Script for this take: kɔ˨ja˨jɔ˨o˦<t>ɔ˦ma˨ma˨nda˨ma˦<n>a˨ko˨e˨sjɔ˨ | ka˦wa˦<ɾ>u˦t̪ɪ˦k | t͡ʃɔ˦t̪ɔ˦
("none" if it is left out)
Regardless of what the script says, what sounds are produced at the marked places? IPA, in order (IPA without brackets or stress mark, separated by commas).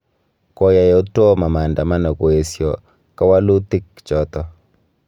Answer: t, n, l